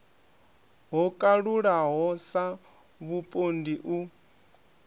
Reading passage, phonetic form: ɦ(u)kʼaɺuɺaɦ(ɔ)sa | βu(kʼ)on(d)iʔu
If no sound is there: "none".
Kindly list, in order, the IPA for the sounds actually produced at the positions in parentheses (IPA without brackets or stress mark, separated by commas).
ɔ, ɔ, pʼ, d